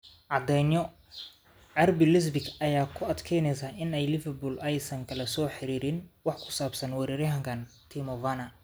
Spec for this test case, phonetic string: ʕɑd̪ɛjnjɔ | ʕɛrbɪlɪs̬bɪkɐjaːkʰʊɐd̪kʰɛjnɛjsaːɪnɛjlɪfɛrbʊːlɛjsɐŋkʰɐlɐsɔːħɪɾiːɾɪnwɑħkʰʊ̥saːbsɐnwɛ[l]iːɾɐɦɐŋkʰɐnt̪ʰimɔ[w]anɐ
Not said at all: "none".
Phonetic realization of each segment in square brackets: ɾ, v

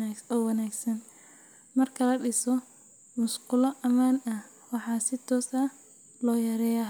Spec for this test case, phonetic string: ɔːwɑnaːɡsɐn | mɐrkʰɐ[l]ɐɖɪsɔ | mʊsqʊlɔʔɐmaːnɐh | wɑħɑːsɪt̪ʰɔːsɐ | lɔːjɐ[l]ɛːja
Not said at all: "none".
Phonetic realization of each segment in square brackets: l, ɾ

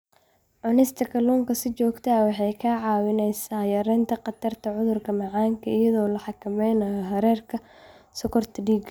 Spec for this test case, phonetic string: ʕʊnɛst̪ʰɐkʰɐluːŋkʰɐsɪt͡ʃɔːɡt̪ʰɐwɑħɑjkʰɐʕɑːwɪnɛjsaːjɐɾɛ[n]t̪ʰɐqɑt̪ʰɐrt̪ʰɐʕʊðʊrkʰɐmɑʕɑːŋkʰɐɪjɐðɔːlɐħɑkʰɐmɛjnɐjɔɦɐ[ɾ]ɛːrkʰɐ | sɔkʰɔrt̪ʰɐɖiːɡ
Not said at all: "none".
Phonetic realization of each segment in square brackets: n, ɾ

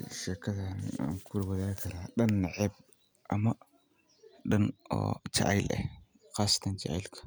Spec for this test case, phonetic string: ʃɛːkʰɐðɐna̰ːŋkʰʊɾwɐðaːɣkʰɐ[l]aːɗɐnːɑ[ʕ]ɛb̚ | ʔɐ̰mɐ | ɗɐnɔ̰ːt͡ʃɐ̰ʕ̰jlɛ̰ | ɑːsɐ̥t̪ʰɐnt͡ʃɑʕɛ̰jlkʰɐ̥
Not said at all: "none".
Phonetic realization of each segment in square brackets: ɾ, ʕ

